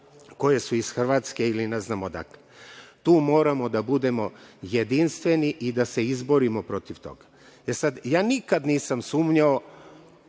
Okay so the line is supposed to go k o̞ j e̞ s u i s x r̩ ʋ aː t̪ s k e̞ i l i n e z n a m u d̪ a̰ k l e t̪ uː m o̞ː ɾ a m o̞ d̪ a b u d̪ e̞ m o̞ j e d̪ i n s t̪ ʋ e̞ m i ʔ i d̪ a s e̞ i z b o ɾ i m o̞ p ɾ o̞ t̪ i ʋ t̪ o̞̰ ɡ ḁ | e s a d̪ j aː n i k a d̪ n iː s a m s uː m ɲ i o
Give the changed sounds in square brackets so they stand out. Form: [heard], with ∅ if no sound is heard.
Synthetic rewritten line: k o̞ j e̞ s u i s x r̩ ʋ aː t̪ s k e̞ i l i n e z n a m [o] d̪ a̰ k l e t̪ uː m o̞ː ɾ a m o̞ d̪ a b u d̪ e̞ m o̞ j e d̪ i n s t̪ ʋ e̞ [n] i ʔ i d̪ a s e̞ i z b o ɾ i m o̞ p ɾ o̞ t̪ i ʋ t̪ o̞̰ ɡ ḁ | e s a d̪ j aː n i k a d̪ n iː s a m s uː m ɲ [a] o